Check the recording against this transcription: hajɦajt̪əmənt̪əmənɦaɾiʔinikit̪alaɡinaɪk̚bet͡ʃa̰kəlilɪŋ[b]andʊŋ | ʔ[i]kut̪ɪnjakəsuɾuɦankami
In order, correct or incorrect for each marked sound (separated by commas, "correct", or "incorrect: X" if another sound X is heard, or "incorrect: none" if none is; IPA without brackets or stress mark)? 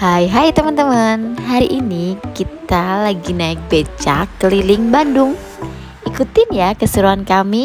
correct, correct